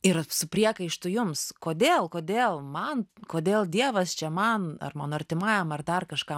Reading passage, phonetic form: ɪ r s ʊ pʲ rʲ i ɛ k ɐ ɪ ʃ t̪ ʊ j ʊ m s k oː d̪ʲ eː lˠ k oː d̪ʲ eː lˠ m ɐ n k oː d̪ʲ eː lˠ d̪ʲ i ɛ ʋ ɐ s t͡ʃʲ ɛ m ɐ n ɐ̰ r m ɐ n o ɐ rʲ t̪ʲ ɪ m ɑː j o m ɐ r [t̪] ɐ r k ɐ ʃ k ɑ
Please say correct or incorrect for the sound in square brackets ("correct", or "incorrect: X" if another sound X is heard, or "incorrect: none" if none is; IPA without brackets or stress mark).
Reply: incorrect: d̪